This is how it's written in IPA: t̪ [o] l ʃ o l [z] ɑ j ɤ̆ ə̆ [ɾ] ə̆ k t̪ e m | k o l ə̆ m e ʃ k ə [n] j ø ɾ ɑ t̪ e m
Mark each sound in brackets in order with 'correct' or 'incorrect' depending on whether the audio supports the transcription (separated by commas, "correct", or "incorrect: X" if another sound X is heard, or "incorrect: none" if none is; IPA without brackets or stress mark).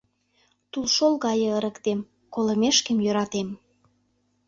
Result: incorrect: u, incorrect: ɣ, correct, incorrect: m